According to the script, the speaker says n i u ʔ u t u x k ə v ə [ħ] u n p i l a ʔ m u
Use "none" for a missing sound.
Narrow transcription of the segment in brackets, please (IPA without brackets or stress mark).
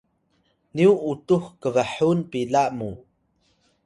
ħ